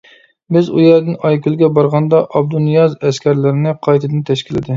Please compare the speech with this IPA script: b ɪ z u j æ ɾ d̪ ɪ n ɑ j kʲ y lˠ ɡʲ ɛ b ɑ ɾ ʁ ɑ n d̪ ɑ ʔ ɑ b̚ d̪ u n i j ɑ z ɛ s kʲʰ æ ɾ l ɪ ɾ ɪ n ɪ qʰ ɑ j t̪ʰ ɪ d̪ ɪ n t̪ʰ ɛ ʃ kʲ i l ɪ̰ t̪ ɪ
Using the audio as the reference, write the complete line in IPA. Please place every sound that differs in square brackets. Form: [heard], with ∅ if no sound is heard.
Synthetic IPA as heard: b ɪ z u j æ ɾ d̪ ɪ n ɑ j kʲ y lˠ ɡʲ ɛ b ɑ ɾ ʁ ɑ n d̪ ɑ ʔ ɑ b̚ d̪ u n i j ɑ z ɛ s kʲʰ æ ɾ l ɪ ɾ ɪ n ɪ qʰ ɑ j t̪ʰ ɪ d̪ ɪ n t̪ʰ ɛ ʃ kʲ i l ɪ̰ [d̪] ɪ